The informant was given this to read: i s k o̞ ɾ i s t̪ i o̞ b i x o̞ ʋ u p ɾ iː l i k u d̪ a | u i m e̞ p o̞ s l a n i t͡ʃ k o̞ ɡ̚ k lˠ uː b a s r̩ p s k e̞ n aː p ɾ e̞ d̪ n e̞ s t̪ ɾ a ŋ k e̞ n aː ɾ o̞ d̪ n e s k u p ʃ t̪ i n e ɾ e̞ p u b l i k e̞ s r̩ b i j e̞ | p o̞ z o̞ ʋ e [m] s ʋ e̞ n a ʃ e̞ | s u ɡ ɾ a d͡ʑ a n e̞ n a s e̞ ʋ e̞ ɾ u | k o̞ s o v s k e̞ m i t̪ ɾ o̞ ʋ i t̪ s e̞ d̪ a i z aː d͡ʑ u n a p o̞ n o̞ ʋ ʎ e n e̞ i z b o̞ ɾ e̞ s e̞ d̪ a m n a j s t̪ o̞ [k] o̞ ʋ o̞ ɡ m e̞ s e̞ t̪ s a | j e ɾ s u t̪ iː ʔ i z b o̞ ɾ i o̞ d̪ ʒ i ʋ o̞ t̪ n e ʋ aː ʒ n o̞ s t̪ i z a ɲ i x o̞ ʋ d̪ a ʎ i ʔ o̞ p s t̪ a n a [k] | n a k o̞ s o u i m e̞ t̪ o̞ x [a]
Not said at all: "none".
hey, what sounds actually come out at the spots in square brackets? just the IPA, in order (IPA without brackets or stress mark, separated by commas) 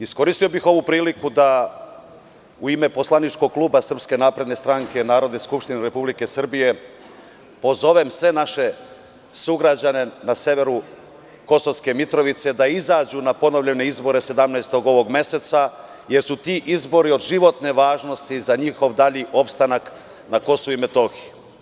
m, ɡ, k, i